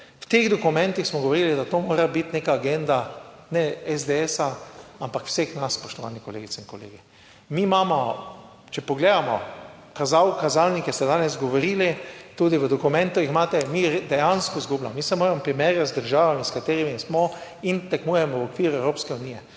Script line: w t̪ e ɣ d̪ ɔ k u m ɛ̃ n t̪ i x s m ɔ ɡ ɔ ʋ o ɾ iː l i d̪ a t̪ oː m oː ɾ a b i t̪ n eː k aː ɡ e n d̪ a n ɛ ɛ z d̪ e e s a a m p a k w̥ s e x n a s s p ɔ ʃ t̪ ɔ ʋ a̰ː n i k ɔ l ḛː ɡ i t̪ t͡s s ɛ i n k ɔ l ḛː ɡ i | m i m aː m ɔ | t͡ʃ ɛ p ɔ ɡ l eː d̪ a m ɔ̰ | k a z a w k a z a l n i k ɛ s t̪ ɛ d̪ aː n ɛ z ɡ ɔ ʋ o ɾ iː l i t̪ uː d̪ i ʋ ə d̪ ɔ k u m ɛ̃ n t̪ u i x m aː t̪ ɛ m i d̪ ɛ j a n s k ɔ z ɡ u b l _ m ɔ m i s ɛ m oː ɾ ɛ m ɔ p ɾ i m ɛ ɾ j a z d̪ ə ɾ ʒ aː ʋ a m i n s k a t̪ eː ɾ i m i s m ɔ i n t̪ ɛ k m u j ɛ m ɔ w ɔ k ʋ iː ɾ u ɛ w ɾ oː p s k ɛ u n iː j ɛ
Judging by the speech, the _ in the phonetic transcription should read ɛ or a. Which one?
a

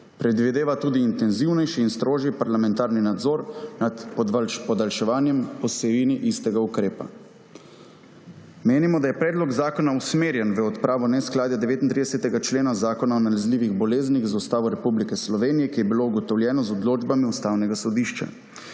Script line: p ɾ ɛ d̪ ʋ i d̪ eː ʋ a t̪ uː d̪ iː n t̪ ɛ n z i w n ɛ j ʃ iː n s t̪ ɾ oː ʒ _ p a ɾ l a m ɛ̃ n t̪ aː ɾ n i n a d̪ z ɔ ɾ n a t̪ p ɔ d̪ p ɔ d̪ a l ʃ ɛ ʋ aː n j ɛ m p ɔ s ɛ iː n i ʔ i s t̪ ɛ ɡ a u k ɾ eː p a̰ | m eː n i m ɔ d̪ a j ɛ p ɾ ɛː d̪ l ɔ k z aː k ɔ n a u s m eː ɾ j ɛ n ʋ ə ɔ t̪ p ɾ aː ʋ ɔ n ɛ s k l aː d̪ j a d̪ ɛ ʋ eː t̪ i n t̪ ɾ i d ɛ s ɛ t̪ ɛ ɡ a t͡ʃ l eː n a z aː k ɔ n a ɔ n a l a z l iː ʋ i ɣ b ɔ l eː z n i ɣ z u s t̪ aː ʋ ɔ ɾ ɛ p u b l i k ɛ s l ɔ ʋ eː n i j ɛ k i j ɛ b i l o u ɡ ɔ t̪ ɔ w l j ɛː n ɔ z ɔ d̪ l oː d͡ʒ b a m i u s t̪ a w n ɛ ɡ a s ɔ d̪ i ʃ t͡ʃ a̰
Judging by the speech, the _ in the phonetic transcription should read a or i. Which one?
i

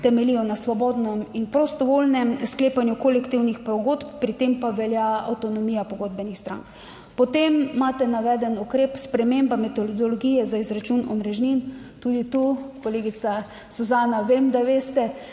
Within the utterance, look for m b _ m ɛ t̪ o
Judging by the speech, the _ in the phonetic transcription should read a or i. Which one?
a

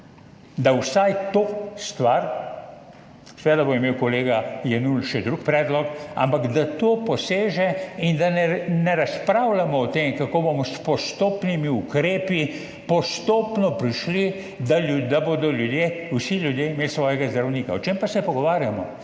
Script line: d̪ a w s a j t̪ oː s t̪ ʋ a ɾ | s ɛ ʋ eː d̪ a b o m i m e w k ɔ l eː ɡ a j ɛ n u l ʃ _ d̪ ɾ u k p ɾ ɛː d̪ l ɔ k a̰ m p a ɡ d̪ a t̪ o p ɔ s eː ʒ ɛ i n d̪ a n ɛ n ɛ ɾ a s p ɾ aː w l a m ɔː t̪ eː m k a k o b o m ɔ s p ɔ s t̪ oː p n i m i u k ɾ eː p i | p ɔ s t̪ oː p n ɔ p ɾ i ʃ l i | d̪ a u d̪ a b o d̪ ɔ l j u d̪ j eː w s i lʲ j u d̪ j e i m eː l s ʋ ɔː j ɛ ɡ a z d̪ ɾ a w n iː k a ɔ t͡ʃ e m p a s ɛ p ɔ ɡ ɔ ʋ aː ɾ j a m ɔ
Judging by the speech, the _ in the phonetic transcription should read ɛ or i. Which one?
ɛ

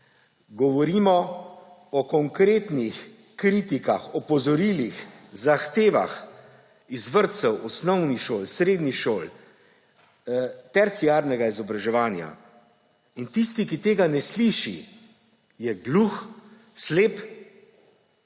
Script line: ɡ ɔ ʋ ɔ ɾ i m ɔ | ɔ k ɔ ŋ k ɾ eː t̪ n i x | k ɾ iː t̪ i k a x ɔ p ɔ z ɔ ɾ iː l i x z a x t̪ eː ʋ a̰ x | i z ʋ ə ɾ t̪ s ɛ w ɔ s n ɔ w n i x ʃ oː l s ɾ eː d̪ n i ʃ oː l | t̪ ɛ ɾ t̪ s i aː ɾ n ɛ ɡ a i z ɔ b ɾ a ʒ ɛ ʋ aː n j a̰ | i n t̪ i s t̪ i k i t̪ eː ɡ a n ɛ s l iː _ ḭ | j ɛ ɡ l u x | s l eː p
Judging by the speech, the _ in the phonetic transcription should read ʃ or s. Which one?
ʃ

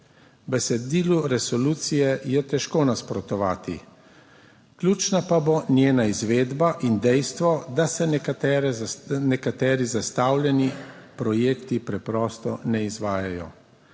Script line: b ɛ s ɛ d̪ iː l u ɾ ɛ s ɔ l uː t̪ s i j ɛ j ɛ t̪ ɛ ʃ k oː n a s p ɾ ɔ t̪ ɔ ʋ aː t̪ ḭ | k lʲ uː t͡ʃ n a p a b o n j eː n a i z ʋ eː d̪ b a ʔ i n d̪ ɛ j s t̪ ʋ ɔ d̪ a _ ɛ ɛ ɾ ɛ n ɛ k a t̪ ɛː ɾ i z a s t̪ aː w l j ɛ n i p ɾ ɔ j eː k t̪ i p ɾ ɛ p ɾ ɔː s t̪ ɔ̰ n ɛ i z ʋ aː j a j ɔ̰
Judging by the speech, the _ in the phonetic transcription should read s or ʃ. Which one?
s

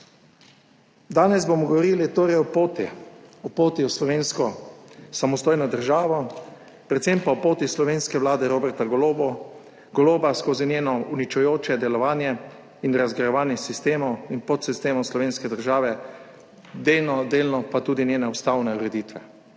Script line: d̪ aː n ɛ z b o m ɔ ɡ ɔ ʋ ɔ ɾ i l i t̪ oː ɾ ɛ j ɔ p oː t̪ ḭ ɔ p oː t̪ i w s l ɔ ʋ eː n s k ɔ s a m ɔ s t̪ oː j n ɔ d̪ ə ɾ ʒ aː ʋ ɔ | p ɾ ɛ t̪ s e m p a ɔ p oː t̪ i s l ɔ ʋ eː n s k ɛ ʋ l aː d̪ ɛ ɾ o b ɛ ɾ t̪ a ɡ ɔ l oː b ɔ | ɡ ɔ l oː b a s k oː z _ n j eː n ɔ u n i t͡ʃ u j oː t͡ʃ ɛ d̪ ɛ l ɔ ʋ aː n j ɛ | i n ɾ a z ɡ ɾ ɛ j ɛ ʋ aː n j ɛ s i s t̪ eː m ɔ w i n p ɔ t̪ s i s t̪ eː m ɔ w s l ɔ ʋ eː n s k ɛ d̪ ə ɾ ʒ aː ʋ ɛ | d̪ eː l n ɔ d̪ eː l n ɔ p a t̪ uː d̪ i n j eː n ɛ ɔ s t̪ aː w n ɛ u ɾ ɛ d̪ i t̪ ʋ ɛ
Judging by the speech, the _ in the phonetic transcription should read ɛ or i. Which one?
i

